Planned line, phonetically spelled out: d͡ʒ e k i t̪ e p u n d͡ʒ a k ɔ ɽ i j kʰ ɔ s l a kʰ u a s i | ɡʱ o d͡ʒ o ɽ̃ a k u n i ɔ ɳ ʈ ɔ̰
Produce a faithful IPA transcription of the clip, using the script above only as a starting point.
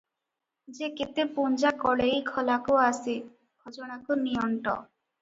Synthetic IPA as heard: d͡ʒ e k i t̪ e p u n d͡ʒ a k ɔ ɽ e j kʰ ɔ l a k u a s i | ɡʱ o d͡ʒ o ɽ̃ a k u n i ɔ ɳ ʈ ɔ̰